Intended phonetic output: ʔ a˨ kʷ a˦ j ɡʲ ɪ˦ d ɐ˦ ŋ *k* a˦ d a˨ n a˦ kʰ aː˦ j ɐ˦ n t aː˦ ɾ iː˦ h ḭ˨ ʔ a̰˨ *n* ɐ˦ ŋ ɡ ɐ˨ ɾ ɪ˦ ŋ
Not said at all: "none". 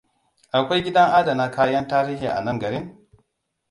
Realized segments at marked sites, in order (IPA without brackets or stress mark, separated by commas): ʔ, n